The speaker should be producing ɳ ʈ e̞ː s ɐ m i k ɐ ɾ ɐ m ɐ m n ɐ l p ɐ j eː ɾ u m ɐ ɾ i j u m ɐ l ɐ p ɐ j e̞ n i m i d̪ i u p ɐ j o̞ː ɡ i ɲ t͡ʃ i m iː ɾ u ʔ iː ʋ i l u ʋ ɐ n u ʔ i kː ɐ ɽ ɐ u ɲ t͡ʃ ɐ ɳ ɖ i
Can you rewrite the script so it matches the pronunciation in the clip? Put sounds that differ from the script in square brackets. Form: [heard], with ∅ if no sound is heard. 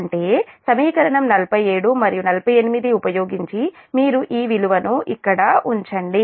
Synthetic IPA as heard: ɳ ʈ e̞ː s ɐ m [iː] k ɐ ɾ ɐ [ɳ] ɐ m n ɐ l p ɐ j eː [ɽ] u m ɐ ɾ i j u [n] ɐ l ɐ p ɐ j e̞ n i m i d̪ i u p ɐ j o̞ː ɡ i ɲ t͡ʃ i m iː ɾ u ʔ iː ʋ i l u ʋ ɐ n u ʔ i kː ɐ ɽ ɐ u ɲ t͡ʃ ɐ ɳ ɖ i